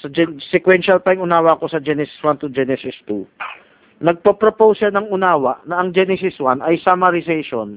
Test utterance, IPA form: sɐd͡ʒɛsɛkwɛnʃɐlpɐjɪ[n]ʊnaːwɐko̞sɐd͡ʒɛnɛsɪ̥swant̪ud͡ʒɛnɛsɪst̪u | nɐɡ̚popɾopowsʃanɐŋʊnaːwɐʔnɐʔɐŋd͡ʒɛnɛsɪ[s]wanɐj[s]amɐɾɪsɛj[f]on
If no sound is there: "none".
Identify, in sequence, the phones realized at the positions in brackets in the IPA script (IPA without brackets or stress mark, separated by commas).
ŋ, s, s, ʃ